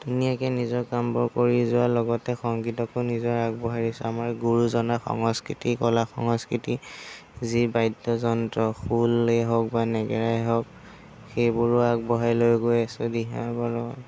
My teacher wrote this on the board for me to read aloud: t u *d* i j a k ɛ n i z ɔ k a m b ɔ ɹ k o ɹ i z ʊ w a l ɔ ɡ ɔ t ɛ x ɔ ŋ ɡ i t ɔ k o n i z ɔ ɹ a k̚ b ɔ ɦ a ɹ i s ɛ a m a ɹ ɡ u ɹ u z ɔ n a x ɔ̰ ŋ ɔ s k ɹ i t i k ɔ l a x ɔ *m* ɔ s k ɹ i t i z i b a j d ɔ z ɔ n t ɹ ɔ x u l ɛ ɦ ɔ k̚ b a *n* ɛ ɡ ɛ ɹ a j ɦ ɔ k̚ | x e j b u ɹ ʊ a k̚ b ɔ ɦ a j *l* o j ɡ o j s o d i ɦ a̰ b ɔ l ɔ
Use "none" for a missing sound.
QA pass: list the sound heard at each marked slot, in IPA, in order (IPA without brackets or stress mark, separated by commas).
n, ŋ, n, l